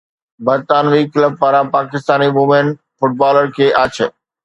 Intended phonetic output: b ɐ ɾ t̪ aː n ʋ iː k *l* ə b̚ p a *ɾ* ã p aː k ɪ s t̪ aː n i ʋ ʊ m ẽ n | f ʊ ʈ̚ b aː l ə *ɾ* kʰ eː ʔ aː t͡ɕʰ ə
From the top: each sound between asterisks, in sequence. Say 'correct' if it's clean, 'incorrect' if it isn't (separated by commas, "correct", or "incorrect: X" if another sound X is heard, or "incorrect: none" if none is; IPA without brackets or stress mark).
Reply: correct, correct, correct